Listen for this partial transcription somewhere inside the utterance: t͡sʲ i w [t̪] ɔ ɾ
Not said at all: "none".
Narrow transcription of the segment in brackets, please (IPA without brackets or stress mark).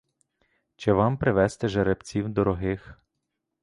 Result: d̪